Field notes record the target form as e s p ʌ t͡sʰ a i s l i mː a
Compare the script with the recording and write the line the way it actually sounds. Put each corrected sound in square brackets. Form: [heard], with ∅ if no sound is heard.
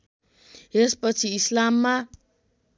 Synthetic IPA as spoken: e s p ʌ t͡sʰ [i] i s l [a] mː a

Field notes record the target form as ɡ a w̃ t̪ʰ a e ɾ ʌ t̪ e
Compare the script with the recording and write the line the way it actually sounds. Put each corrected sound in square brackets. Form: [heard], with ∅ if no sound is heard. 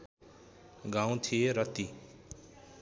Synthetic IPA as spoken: ɡ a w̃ t̪ʰ [i] e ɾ ʌ t̪ [i]

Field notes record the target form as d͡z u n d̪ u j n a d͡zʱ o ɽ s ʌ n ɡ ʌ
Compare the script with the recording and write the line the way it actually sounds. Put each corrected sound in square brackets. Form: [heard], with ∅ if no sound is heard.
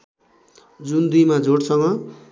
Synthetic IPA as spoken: d͡z u n d̪ u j [m] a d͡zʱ o ɽ s ʌ [ŋ] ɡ ʌ

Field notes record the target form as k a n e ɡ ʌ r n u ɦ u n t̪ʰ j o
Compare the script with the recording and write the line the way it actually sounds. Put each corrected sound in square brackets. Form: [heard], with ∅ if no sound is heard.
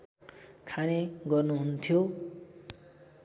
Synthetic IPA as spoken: [kʰ] a n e ɡ ʌ r n u ɦ u n t̪ʰ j o

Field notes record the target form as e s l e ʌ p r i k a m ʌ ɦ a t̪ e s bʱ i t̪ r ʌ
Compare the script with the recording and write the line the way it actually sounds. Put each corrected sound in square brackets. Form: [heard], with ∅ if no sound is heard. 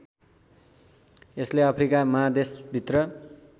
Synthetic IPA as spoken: e s l e ʌ [pʰ] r i k a m ʌ ɦ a [d̪] e s bʱ i t̪ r ʌ

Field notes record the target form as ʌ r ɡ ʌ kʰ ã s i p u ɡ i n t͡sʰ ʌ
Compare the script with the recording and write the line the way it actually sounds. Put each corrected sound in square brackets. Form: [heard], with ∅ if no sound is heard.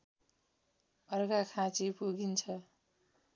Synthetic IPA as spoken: ʌ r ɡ [a] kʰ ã [t͡s] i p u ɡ i n t͡sʰ ʌ

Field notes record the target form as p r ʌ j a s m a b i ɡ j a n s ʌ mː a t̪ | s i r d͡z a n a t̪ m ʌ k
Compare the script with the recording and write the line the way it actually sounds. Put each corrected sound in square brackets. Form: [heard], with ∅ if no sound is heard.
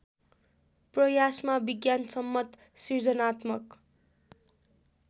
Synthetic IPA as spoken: p r ʌ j a s m a b i ɡ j a n s ʌ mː [ʌ] t̪ | s i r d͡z [ʌ] n a t̪ m ʌ k

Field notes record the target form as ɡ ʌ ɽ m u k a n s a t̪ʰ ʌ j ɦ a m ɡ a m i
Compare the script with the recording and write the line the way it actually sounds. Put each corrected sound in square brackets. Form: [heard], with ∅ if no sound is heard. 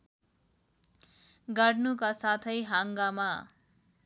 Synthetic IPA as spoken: ɡ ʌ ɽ [n] u k a [∅] s a t̪ʰ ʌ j ɦ a [ŋ] ɡ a m [a]

